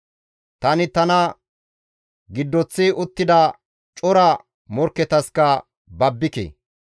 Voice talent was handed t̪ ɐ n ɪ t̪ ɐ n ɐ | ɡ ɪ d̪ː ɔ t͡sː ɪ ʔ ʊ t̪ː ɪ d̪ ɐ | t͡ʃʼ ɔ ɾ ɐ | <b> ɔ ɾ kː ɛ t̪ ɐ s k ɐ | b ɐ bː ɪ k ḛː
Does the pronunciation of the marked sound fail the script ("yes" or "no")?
yes